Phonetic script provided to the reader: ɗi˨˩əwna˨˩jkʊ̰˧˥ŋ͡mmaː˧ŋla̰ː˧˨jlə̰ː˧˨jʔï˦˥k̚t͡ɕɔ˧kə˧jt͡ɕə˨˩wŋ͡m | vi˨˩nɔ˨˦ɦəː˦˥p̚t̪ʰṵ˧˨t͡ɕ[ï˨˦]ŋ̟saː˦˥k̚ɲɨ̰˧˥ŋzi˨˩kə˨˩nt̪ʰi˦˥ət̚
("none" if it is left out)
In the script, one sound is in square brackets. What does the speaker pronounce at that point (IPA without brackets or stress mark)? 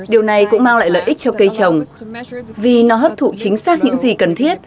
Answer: ï˨˦